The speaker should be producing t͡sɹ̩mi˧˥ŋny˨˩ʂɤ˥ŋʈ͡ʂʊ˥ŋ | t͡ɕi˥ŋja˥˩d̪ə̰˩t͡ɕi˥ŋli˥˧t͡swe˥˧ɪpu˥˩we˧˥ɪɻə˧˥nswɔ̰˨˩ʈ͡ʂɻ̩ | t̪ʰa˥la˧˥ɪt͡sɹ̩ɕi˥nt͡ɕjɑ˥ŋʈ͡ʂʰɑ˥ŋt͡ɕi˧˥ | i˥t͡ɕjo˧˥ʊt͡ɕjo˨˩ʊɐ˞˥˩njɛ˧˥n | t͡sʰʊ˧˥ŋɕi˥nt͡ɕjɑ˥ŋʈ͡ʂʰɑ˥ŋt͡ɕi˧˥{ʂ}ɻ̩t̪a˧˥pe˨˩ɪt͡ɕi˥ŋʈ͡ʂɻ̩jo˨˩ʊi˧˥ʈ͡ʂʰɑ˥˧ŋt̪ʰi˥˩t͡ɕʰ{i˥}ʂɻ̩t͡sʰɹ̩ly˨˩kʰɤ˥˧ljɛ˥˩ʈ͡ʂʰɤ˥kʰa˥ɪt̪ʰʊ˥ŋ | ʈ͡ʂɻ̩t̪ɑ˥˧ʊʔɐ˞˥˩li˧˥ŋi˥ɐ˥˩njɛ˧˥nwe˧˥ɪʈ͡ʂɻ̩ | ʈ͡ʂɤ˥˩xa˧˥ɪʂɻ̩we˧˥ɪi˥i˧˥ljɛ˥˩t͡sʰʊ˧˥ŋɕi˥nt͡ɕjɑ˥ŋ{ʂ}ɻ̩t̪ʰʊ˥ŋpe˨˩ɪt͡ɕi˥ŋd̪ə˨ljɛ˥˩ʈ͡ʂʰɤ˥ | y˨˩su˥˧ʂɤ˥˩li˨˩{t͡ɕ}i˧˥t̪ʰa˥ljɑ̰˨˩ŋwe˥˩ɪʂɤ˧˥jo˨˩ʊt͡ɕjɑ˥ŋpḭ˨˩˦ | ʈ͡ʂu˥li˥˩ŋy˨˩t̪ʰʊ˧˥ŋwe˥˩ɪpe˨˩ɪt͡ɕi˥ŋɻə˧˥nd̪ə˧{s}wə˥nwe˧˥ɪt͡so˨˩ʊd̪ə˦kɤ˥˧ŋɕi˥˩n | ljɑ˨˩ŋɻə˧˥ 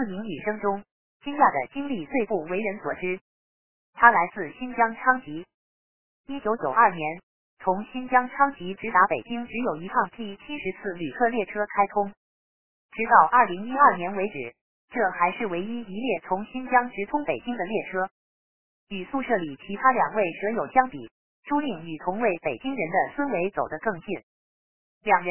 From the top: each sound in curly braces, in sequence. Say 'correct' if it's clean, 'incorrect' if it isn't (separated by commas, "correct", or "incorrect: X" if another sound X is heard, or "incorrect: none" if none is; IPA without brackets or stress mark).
incorrect: ʈ͡ʂ, correct, incorrect: ʈ͡ʂ, incorrect: t͡ɕʰ, correct